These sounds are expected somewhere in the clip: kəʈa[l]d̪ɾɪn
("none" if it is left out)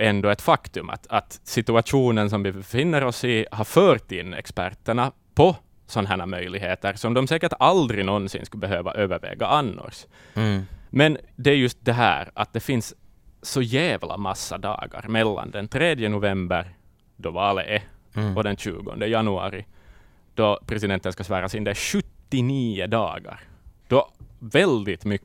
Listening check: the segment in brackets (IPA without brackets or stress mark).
l